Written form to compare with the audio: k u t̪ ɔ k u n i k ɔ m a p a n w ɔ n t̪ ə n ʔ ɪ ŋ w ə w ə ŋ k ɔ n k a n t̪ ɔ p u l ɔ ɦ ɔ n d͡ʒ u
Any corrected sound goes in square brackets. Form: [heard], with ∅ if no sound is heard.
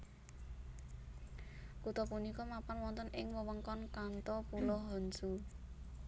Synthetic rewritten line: k u t̪ ɔ [p] u n i k ɔ m a p a n w ɔ n t̪ ə n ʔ ɪ ŋ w ə w ə ŋ k ɔ n k a n t̪ ɔ p u l ɔ ɦ ɔ n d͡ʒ u